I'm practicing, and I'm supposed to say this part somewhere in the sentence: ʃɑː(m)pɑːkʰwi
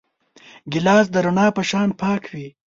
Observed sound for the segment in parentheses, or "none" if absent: n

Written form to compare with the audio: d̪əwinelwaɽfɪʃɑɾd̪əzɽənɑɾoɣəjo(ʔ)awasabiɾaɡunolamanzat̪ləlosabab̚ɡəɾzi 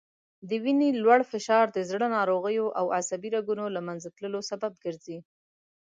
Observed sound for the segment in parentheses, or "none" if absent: ʔ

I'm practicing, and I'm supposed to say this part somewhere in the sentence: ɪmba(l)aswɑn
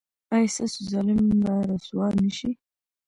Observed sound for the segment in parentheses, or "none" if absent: ɾ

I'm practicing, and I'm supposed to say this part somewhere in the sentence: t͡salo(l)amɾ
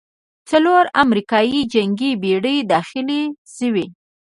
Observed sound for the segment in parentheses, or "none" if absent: ɾ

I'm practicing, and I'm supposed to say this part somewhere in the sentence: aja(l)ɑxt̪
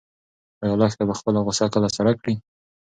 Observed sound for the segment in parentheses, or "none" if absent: l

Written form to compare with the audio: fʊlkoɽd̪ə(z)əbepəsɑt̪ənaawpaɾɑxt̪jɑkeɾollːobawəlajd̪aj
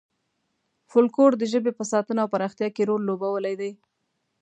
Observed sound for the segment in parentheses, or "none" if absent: ʒ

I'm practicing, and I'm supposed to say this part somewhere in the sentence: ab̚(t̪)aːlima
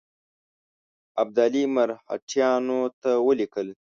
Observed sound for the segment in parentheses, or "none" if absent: d̪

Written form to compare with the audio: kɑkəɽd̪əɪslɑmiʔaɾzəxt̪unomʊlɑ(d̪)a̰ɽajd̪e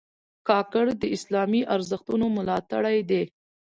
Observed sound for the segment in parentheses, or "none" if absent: t̪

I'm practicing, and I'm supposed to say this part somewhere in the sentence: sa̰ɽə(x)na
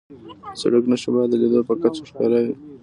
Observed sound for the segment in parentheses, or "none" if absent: k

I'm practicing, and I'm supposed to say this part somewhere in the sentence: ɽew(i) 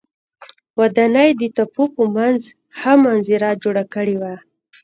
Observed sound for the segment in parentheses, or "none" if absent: a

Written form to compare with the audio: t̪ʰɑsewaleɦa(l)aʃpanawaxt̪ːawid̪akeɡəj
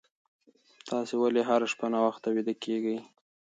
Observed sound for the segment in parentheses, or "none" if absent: ɾ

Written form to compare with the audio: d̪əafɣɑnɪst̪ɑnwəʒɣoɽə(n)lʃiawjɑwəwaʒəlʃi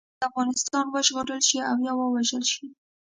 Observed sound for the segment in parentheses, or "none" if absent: none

